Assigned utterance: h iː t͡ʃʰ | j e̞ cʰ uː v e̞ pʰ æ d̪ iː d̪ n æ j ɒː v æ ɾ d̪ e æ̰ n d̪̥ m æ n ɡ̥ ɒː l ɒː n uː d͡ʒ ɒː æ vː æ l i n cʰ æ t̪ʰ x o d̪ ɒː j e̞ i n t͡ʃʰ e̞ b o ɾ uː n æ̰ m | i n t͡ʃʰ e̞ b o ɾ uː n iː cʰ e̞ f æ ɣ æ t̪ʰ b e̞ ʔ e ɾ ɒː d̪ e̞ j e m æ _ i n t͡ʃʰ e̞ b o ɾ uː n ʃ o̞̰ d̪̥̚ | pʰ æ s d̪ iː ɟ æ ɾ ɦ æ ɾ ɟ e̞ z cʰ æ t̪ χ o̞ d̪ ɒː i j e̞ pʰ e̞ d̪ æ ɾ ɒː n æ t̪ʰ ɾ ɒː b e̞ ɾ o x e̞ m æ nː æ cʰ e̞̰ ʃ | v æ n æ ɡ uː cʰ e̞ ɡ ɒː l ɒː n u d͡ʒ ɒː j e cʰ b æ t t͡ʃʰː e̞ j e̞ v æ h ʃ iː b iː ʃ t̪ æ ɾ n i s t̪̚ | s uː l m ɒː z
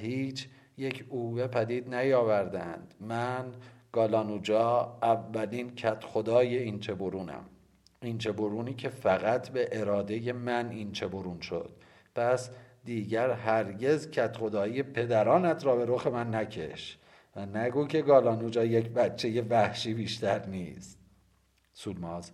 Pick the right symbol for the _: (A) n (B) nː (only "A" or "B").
A